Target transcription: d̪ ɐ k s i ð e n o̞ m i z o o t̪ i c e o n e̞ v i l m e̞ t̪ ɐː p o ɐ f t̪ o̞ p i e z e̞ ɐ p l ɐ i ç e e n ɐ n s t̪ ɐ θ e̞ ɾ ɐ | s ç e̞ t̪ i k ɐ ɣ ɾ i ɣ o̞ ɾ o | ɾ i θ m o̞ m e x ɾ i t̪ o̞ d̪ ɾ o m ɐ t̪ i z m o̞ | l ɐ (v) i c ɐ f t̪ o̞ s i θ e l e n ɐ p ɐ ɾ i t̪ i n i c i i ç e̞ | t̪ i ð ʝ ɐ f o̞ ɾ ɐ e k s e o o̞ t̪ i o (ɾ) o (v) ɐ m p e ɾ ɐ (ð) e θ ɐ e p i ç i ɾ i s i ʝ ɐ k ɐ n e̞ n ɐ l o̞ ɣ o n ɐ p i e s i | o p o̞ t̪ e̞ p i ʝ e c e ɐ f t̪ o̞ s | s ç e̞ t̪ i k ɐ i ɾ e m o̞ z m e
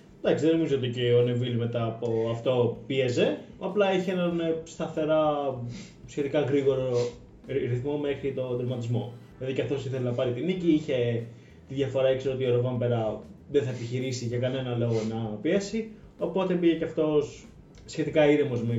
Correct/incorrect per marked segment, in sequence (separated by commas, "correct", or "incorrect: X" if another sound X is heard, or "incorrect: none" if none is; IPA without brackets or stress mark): incorrect: ð, correct, correct, correct